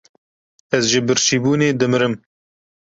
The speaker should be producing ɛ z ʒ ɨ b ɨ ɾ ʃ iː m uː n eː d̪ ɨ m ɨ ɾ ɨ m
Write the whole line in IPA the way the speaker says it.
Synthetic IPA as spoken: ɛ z ʒ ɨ b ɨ ɾ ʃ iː b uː n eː d̪ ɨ m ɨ ɾ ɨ m